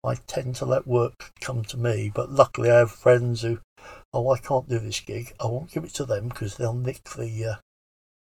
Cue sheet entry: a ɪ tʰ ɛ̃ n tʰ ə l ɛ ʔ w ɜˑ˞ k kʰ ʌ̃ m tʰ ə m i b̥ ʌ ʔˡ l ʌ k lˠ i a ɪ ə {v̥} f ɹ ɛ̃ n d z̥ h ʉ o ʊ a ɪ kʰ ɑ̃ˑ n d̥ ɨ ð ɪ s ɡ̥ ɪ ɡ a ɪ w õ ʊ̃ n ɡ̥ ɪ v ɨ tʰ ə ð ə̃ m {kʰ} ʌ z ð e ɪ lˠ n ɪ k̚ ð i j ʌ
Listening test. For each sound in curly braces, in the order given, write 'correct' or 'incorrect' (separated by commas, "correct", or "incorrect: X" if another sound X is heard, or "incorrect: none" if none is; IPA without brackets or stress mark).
correct, correct